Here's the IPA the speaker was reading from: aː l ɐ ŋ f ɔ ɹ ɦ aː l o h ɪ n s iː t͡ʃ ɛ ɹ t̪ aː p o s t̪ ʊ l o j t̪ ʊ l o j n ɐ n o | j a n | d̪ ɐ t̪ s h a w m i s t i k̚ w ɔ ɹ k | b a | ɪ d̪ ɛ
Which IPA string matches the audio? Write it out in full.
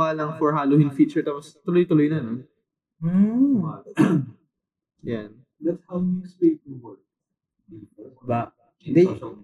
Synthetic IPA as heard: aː l ɐ ŋ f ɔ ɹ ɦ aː l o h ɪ n f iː t͡ʃ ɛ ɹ t̪ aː p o s t̪ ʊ l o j t̪ ʊ l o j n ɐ n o | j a n | d̪ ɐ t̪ s h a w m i s p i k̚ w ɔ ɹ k | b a | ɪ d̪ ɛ